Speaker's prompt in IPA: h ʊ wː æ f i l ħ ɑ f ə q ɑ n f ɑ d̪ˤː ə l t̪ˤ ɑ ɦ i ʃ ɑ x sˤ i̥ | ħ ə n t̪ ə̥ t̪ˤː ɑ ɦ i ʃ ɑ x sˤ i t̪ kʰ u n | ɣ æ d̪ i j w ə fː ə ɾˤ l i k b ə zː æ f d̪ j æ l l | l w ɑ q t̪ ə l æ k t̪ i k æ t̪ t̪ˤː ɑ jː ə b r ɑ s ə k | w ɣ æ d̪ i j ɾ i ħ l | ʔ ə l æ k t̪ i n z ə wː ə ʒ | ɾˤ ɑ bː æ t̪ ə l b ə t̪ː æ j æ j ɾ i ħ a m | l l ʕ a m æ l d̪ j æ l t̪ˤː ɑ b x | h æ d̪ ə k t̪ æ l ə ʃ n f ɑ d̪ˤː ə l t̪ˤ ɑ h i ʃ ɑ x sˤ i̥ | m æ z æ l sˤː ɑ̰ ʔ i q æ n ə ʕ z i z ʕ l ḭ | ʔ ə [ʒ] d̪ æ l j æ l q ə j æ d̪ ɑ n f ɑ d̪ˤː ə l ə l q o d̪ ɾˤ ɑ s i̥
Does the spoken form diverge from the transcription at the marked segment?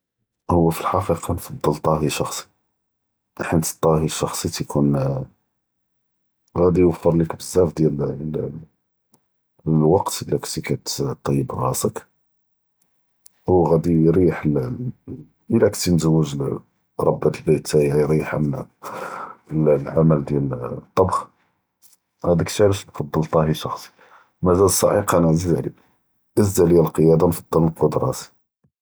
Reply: yes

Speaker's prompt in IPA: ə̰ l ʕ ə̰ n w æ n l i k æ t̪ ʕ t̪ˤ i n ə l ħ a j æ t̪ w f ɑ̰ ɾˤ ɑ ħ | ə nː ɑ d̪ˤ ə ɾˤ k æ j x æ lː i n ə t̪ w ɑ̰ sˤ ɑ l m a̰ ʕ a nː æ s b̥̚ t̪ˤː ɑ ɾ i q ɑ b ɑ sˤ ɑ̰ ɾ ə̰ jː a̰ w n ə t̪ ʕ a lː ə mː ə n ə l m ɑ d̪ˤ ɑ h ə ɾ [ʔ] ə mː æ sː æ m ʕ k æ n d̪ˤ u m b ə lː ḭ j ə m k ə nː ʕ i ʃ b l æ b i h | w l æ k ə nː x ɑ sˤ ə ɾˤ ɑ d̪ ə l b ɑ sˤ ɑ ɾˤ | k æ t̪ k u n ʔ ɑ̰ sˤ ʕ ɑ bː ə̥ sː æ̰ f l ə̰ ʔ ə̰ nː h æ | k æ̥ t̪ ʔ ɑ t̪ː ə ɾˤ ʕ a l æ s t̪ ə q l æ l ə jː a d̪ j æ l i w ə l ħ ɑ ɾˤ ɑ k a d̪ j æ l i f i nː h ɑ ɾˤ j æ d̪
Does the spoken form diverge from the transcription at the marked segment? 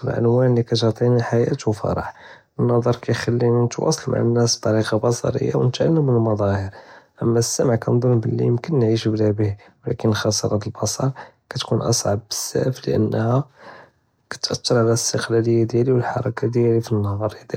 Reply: no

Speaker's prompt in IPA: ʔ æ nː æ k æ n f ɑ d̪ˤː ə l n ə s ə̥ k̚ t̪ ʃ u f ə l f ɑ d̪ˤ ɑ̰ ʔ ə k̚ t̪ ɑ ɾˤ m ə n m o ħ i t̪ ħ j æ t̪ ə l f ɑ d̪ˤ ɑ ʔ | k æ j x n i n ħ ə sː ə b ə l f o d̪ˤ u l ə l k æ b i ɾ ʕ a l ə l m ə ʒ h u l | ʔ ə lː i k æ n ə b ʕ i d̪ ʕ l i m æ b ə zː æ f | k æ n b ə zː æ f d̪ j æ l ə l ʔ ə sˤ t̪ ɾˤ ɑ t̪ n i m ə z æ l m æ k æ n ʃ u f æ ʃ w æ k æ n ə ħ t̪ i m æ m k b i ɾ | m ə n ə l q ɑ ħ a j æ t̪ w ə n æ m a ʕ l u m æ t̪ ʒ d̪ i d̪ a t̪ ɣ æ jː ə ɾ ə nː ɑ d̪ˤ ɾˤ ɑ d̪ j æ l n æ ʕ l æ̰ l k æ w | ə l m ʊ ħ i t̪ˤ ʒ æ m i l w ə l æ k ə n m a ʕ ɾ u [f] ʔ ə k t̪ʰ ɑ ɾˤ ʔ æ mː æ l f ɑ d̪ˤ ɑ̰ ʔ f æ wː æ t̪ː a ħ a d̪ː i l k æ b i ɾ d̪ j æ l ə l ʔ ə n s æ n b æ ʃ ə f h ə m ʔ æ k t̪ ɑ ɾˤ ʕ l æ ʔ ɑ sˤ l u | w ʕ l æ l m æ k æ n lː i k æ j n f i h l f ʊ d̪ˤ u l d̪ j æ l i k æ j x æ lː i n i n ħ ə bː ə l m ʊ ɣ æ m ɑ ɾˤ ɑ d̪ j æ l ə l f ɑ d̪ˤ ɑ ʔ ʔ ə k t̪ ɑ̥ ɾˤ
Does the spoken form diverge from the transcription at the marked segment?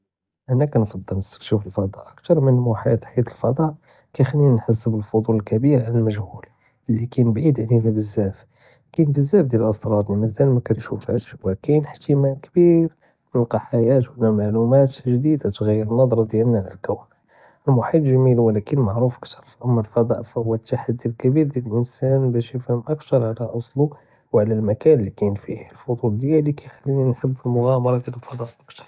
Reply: no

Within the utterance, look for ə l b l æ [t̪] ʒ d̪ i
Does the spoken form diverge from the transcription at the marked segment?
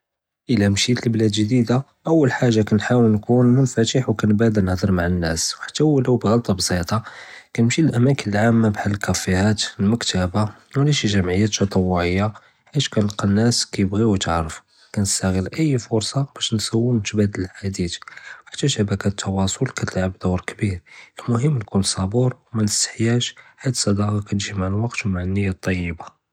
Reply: yes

